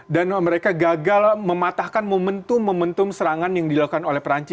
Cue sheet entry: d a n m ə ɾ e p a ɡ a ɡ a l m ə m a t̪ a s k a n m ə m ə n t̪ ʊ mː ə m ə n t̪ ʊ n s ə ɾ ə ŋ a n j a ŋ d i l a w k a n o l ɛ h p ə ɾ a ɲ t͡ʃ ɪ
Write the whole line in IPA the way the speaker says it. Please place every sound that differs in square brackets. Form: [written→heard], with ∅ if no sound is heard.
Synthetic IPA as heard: d a n m ə ɾ e [p→k] a ɡ a ɡ a l m ə m a t̪ a [s→h] k a n m ə m ə n t̪ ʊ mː ə m ə n t̪ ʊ [n→m] s ə ɾ [ə→a] ŋ a n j a ŋ d i l a [w→u] k a n o l ɛ h p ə ɾ a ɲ t͡ʃ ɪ

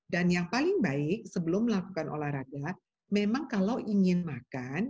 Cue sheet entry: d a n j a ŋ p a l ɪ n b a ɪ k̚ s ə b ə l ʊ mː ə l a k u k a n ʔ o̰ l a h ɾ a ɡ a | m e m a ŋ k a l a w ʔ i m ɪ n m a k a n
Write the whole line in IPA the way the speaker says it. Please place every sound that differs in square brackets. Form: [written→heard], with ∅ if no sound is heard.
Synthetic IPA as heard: d a n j a ŋ p a l ɪ [n→ŋ] b a ɪ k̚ s ə b ə l ʊ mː ə l a k u k a n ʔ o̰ l a h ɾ a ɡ a | m e m a ŋ k a l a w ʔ i [m→ŋ] ɪ n m a k a n

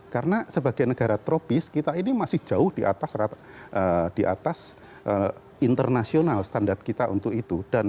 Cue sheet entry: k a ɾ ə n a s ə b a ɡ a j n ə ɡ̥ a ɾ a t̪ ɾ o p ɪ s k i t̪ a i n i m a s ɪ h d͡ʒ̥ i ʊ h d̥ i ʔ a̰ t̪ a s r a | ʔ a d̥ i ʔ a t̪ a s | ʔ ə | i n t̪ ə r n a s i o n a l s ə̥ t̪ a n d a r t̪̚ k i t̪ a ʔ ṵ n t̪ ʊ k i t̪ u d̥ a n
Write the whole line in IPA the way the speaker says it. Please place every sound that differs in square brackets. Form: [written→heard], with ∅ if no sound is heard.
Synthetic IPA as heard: k a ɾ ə n a s ə b a ɡ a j n ə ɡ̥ a ɾ a t̪ ɾ o p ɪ s k i t̪ a i n i m a s ɪ h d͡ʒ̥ [i→a] ʊ h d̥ i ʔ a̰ t̪ a s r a | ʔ [a→ə] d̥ i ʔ a t̪ a s | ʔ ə | i n t̪ ə r n a s i o n a l s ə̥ t̪ a n d a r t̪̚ k i t̪ a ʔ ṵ n t̪ ʊ k i t̪ u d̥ a n

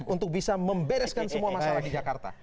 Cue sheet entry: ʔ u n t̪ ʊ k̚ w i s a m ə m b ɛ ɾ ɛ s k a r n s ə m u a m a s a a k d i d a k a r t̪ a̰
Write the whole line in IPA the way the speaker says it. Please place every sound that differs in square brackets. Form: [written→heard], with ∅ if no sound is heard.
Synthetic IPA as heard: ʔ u n t̪ ʊ k̚ [w→b] i s a m ə m b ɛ ɾ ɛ s k a [r→∅] n s ə m u a m a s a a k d i [d→d͡ʒ] a k a r t̪ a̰

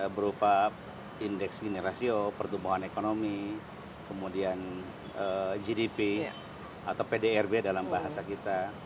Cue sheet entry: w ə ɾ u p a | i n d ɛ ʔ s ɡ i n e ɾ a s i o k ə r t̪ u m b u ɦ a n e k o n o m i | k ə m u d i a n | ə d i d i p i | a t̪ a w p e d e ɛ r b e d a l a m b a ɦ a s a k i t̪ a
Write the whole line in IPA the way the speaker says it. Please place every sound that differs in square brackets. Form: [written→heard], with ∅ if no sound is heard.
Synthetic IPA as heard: [w→b] ə ɾ u p a | i n d ɛ [ʔ→k] s ɡ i n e ɾ a s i o [k→p] ə r t̪ u m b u ɦ a n e k o n o m i | k ə m u d i a n | ə [d→d͡ʒ] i d i p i | a t̪ a w p e d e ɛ r b e d a l a m b a ɦ a s a k i t̪ a

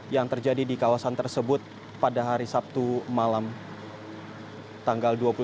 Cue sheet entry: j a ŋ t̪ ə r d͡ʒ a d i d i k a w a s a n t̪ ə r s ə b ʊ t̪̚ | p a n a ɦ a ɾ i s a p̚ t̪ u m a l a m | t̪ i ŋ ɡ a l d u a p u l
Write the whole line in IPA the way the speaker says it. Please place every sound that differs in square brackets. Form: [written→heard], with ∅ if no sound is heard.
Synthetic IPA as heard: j a ŋ t̪ ə r d͡ʒ a d i d i k a w a s a n t̪ ə r s ə b ʊ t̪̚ | p a [n→d] a ɦ a ɾ i s a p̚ t̪ u m a l a m | t̪ [i→a] ŋ ɡ a l d u a p u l

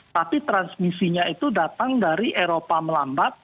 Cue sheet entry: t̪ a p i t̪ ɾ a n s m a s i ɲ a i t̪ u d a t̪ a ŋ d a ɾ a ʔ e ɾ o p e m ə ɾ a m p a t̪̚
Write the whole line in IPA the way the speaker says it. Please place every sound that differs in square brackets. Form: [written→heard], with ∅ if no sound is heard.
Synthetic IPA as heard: t̪ a p i t̪ ɾ a n s m [a→i] s i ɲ a i t̪ u d a t̪ a ŋ d a ɾ [a→i] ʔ e ɾ o p [e→a] m ə [ɾ→l] a m [p→b] a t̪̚

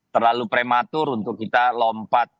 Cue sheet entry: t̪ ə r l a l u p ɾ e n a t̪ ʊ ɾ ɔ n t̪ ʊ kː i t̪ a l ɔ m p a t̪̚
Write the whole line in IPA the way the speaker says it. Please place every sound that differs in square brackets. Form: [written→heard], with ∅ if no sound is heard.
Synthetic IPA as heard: t̪ ə r l a l u p ɾ e [n→m] a t̪ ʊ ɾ [ɔ→u] n t̪ ʊ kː i t̪ a l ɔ m p a t̪̚

